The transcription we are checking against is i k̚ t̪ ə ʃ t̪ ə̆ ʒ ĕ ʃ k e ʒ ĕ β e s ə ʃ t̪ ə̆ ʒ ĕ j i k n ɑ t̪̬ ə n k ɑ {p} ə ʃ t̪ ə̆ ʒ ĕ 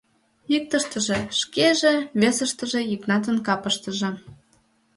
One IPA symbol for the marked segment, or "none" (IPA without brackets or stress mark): p